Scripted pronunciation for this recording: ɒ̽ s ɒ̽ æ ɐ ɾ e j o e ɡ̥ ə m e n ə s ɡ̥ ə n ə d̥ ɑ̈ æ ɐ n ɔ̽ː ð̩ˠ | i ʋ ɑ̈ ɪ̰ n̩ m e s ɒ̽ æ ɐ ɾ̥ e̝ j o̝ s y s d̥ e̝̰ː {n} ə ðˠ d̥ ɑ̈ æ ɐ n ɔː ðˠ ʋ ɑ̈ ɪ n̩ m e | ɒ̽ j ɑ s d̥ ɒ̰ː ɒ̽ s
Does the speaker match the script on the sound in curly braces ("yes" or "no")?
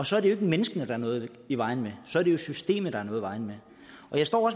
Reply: no